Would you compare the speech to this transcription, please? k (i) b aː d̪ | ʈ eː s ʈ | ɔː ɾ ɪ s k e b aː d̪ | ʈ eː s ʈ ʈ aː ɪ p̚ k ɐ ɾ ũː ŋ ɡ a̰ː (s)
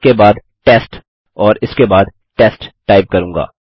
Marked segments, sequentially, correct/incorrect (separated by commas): incorrect, incorrect